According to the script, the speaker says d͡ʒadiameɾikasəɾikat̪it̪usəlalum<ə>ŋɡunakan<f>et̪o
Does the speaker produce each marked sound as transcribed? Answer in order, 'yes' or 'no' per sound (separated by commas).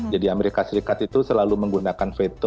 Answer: yes, yes